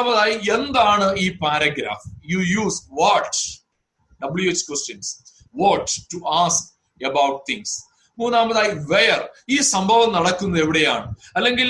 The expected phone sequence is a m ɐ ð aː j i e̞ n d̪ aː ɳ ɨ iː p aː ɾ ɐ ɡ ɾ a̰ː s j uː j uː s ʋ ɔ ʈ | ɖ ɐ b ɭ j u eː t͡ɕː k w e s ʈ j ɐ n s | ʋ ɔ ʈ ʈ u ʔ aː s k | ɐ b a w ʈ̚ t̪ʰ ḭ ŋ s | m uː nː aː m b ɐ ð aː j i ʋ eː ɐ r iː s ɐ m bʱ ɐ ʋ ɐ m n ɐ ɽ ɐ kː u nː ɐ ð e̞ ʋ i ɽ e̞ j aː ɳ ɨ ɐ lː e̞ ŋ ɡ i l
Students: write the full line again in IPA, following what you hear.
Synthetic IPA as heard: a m ɐ ð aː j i e̞ n d̪ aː ɳ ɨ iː p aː ɾ ɐ ɡ ɾ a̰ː f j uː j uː s ʋ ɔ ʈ | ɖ ɐ b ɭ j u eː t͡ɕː k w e s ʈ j ɐ n s | ʋ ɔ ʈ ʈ u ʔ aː s k | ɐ b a w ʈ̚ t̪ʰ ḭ ŋ s | m uː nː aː m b ɐ ð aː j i ʋ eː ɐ r iː s ɐ m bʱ ɐ ʋ ɐ m n ɐ ɽ ɐ kː u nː ɐ ð e̞ ʋ i ɽ e̞ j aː ɳ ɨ ɐ lː e̞ ŋ ɡ i l